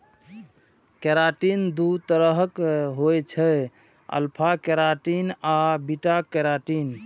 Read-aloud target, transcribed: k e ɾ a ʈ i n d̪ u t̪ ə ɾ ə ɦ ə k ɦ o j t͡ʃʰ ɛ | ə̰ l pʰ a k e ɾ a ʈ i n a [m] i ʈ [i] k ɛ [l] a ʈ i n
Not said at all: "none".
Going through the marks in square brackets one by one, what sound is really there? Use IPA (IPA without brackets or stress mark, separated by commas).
b, a, ɾ